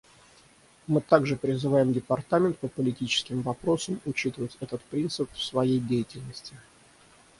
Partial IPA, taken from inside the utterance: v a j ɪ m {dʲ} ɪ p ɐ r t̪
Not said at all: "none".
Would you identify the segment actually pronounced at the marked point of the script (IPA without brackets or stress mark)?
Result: dʲ